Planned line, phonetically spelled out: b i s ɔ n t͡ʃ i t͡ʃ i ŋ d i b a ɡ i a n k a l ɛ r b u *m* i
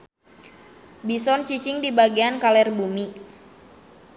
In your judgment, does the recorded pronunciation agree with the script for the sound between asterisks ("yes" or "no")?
yes